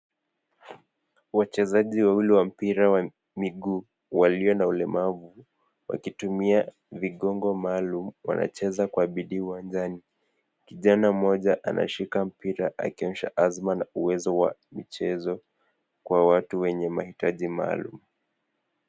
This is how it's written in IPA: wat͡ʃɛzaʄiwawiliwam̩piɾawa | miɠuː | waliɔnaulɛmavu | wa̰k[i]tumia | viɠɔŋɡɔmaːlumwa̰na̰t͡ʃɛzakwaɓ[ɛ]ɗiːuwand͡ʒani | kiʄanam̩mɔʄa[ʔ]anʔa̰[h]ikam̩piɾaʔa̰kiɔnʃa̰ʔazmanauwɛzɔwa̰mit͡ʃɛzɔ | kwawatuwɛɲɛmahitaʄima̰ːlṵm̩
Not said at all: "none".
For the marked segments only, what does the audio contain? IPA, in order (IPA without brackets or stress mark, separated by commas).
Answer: i, i, ʔ, ʃ